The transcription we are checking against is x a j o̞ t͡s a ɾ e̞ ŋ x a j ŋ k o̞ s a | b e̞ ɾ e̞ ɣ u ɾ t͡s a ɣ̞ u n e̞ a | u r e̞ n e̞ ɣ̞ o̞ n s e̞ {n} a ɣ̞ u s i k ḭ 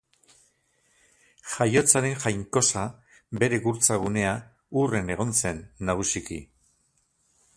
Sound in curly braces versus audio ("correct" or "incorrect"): incorrect